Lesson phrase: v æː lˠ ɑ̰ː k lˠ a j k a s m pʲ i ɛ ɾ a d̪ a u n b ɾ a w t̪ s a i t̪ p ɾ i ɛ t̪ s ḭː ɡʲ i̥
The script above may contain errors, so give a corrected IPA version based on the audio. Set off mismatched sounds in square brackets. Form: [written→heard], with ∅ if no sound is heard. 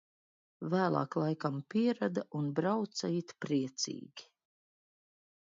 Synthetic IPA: v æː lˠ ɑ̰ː k lˠ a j k a [s→∅] m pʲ i ɛ ɾ a d̪ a u n b ɾ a w t̪ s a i t̪ p ɾ i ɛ t̪ s ḭː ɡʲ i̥